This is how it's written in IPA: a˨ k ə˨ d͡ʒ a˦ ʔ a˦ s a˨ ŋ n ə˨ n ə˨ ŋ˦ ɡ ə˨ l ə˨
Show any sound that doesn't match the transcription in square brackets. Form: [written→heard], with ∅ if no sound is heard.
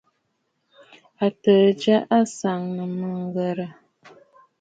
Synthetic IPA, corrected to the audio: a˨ [k→t] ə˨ d͡ʒ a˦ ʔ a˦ s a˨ ŋ n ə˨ [n→m] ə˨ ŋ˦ ɡ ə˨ [l→ɾ] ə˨